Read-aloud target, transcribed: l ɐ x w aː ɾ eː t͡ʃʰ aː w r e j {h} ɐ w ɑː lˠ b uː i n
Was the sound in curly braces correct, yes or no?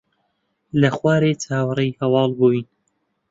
yes